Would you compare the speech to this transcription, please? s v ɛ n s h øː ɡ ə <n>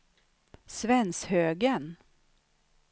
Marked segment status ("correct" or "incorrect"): correct